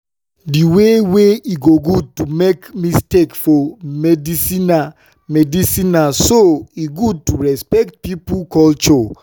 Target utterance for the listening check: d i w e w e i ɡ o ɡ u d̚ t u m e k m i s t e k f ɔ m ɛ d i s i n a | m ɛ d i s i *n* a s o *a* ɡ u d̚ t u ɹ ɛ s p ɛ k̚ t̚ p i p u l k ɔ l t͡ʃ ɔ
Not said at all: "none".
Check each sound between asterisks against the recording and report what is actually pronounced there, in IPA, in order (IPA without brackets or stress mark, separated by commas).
n, i